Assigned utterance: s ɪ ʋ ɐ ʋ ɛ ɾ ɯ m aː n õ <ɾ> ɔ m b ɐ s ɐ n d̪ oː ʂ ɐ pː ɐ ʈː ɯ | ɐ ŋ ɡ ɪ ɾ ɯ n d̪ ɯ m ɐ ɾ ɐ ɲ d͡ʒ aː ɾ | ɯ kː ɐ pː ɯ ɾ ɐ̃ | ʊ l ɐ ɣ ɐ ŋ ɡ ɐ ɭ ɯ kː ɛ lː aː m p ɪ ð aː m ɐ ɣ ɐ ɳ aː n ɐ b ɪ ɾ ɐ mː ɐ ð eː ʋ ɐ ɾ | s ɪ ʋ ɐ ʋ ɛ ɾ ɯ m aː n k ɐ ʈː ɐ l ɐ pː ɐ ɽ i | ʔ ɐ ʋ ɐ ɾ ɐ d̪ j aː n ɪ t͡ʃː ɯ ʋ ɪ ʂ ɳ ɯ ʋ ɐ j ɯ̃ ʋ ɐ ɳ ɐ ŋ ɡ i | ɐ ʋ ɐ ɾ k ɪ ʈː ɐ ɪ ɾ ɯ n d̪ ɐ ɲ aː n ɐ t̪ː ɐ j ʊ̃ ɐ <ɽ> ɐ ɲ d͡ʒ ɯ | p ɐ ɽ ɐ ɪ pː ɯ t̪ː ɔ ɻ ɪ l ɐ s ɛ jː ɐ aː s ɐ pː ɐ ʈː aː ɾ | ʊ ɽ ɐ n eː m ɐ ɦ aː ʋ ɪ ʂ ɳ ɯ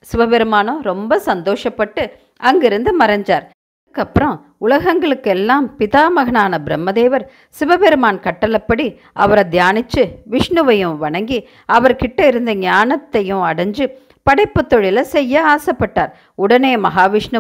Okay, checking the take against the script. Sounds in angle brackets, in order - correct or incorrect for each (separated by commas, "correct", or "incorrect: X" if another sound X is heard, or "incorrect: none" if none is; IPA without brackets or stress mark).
correct, correct